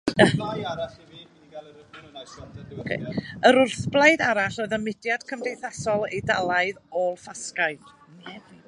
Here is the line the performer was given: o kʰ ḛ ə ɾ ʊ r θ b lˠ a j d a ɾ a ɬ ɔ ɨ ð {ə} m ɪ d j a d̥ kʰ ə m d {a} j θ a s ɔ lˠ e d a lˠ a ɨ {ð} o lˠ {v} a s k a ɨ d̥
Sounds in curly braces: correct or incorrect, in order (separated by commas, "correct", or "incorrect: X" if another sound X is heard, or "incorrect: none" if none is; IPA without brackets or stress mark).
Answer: correct, incorrect: e, correct, incorrect: f